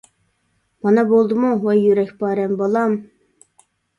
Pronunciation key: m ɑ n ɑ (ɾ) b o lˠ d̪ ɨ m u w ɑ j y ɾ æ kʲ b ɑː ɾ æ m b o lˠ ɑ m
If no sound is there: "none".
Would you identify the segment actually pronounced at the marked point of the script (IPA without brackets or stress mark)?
none